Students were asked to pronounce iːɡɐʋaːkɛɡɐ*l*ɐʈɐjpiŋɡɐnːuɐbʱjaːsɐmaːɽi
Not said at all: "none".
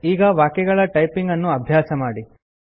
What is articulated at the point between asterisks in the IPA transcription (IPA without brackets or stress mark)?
ɭ